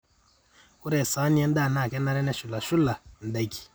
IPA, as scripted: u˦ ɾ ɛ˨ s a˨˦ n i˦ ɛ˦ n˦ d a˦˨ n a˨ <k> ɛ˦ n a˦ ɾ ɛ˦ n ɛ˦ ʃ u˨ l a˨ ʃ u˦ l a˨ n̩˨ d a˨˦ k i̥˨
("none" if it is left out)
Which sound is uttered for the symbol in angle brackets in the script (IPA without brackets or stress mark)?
k